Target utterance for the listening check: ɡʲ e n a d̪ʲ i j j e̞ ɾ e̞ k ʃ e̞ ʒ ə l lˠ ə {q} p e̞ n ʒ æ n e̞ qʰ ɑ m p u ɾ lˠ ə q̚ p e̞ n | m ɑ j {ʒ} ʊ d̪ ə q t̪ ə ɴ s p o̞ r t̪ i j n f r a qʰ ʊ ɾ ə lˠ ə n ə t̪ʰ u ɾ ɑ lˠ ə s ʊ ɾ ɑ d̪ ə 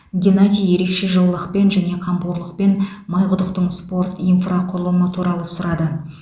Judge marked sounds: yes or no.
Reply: yes, no

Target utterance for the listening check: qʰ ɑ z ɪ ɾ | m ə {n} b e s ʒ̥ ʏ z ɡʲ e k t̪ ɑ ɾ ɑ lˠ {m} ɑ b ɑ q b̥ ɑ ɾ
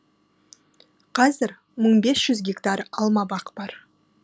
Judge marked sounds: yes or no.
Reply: no, yes

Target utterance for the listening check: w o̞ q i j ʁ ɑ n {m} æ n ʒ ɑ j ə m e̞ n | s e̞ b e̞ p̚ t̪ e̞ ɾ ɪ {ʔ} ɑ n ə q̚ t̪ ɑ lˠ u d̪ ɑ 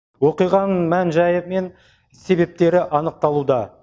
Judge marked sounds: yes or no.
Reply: yes, yes

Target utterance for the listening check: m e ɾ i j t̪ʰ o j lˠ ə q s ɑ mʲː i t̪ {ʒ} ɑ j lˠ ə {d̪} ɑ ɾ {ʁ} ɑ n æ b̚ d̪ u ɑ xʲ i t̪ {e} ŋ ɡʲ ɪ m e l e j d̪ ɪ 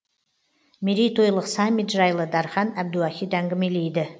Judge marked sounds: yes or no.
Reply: yes, yes, no, no

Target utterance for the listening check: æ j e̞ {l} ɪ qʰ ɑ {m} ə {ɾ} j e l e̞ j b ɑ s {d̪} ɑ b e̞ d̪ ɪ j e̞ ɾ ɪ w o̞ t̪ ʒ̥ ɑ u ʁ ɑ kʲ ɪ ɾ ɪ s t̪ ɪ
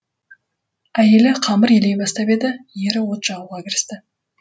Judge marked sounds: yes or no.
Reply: yes, yes, yes, no

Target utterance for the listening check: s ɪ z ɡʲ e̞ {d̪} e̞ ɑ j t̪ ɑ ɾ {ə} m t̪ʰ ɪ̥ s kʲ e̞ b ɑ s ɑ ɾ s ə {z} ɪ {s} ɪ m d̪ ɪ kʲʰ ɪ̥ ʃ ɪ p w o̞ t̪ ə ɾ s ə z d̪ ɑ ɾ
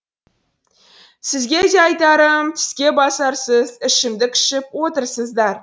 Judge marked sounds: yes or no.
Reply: yes, yes, yes, no

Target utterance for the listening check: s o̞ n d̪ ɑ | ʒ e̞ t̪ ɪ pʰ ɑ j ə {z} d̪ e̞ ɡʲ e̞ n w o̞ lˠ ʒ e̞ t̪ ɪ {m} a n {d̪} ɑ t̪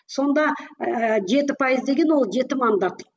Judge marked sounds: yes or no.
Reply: yes, yes, yes

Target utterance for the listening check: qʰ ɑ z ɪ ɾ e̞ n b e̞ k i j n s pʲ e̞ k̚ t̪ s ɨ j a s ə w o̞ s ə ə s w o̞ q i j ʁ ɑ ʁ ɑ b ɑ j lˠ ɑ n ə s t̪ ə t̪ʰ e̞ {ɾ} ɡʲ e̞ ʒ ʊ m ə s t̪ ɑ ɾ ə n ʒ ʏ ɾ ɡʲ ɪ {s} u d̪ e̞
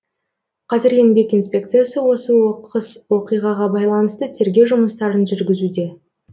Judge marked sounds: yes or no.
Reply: yes, no

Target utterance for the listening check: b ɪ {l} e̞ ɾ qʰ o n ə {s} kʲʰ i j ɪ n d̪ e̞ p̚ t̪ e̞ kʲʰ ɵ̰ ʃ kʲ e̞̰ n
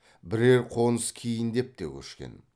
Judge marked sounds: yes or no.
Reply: no, yes

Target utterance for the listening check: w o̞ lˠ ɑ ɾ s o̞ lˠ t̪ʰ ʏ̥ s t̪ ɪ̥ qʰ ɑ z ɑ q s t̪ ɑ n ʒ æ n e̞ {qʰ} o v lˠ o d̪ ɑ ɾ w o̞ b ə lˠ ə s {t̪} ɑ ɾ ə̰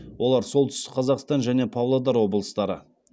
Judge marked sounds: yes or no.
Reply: no, yes

